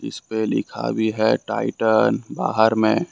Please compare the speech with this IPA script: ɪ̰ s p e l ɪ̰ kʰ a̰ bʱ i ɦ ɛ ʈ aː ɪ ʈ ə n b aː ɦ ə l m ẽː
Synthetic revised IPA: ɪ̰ s p e l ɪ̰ kʰ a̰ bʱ i ɦ ɛ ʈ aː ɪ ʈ ə n b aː ɦ ə ɾ m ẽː